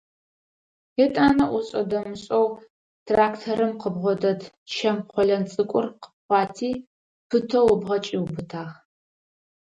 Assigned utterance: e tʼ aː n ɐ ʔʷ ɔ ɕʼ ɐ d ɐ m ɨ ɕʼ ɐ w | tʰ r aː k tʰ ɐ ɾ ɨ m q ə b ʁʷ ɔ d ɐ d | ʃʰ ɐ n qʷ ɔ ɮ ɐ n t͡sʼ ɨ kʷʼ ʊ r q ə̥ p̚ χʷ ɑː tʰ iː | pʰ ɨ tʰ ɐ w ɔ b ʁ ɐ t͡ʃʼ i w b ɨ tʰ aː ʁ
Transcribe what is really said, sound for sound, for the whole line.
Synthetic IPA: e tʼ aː n ɐ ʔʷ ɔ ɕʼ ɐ d ɐ m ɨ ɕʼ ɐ w | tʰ r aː k tʰ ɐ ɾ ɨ m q ə b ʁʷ ɔ d ɐ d | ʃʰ ɐ m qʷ ɔ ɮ ɐ n t͡sʼ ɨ kʷʼ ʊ r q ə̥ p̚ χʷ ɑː tʰ iː | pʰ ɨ tʰ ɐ w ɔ b ʁ ɐ t͡ʃʼ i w b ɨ tʰ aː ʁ